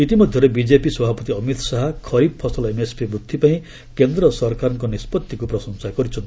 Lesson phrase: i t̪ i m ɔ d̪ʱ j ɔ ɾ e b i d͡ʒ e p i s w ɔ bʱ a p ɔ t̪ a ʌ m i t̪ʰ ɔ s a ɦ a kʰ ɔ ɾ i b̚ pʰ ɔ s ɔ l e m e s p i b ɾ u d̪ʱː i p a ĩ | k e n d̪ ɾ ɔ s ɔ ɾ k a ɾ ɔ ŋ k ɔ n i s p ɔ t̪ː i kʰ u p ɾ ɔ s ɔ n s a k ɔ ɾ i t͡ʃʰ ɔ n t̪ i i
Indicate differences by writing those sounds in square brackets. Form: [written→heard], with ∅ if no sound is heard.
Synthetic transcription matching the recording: i t̪ i m ɔ d̪ʱ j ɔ ɾ e b i d͡ʒ e p i s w ɔ bʱ a p ɔ t̪ [a→i] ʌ m i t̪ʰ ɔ s a ɦ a kʰ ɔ ɾ i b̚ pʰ ɔ s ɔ l e m e s p i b ɾ u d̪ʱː i p a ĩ | k e n d̪ ɾ ɔ s ɔ ɾ k a ɾ ɔ ŋ k ɔ n i s p ɔ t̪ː i [kʰ→k] u p ɾ ɔ s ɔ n s a k ɔ ɾ i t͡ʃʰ ɔ n t̪ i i